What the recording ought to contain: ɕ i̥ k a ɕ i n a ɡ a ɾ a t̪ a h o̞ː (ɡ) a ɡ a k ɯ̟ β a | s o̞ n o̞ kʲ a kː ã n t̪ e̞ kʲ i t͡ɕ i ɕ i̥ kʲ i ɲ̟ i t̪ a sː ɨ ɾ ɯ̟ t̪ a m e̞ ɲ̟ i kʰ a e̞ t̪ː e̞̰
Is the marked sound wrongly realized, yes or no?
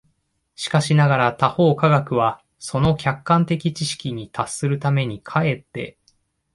yes